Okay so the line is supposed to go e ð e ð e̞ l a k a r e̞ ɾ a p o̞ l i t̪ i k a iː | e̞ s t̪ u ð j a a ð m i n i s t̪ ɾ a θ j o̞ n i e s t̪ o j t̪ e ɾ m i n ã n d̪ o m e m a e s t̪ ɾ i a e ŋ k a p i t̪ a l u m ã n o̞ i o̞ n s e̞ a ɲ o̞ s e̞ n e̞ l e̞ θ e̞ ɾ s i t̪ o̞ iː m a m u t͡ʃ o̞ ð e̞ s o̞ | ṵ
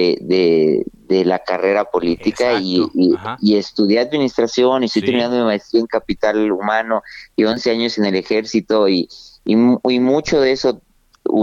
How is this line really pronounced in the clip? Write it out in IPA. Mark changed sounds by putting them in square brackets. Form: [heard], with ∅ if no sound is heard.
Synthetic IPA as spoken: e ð e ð e̞ l a k a r e̞ ɾ a p o̞ l i t̪ i k a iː | e̞ s t̪ u ð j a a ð m i n i s t̪ ɾ a [s] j o̞ n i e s t̪ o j t̪ e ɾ m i n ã n d̪ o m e m a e s t̪ ɾ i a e ŋ k a p i t̪ a l u m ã n o̞ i o̞ n s e̞ a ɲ o̞ s e̞ n e̞ l e̞ [x] e̞ ɾ s i t̪ o̞ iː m [i] m u t͡ʃ o̞ ð e̞ s o̞ | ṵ